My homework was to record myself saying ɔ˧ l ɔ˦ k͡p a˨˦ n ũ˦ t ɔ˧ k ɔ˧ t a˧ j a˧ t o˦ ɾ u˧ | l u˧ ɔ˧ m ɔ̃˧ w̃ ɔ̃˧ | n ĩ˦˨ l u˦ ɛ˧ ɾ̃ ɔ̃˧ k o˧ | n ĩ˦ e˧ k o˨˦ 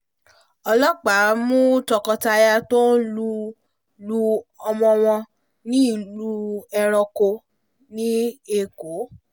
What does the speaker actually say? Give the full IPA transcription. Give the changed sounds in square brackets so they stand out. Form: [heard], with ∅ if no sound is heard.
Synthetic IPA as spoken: ɔ˧ l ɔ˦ k͡p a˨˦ [m] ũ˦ t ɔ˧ k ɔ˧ t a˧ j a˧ t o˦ [l] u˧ | l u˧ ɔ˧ m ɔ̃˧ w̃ ɔ̃˧ | n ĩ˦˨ l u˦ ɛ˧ ɾ̃ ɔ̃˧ k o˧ | n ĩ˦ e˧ k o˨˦